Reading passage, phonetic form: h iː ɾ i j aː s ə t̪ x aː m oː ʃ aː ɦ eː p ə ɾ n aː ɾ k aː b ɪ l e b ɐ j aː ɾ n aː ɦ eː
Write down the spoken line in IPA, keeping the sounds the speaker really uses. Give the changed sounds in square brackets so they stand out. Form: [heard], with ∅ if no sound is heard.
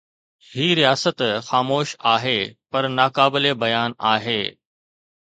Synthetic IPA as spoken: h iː ɾ i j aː s ə t̪ x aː m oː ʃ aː ɦ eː p [ɐ] ɾ n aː [∅] k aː b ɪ l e b ɐ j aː [∅] n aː ɦ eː